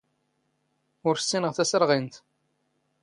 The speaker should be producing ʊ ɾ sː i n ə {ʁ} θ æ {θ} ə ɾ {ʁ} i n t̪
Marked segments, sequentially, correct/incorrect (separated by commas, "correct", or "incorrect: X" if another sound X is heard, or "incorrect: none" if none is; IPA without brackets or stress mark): correct, incorrect: s, correct